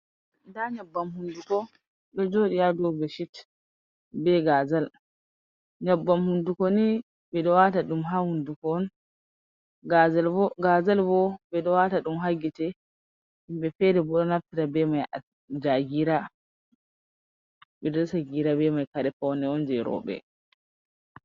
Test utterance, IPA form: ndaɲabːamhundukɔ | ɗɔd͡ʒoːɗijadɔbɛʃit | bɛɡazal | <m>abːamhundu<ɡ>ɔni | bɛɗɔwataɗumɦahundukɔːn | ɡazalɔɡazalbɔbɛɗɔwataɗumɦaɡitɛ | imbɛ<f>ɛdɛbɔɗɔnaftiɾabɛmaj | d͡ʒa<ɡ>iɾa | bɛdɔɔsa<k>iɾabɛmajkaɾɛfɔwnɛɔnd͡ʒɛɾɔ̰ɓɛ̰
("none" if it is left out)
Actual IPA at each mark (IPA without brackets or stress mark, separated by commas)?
ɲ, k, f, ɡ, ɡ